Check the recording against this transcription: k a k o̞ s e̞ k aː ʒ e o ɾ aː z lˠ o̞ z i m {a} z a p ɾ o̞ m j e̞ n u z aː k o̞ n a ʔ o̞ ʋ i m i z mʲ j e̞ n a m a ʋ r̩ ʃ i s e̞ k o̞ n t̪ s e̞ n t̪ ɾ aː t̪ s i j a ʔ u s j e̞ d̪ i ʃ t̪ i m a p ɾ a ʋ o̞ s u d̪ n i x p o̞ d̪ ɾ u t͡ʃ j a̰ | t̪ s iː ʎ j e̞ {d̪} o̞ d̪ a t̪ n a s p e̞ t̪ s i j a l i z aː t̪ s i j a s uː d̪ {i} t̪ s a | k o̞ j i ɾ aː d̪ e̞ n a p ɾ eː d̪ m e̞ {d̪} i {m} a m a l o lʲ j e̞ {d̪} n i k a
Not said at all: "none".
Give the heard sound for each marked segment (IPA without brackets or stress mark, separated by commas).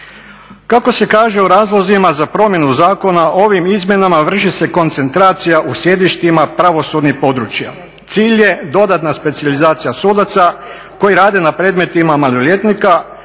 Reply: a, d̪, a, t̪, m, t̪